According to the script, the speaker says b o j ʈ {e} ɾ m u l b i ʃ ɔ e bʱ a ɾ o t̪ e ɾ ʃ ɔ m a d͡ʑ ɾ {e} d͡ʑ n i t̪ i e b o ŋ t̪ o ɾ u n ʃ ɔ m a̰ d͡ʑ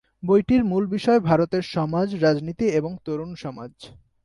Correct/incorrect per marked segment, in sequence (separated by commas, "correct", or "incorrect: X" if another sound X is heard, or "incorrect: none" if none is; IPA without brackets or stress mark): incorrect: i, incorrect: a